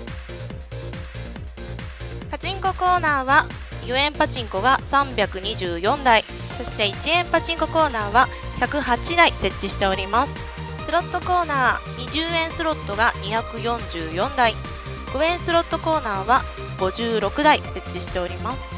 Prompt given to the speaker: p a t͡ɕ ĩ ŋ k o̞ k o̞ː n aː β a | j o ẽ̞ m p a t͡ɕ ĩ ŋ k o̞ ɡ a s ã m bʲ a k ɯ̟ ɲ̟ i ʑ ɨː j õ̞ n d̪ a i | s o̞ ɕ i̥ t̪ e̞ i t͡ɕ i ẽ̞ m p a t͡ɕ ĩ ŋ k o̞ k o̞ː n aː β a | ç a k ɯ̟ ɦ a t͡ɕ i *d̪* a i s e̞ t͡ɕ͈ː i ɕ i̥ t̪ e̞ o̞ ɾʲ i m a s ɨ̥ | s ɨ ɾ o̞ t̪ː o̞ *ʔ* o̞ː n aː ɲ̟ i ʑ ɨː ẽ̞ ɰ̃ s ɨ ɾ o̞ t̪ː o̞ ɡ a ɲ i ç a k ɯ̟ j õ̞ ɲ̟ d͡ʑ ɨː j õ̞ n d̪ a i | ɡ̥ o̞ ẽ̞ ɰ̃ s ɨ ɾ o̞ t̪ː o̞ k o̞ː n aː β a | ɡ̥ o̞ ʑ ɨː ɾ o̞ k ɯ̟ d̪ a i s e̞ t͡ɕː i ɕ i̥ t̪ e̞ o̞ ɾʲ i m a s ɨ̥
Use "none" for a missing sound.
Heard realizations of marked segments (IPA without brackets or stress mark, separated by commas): d̪, k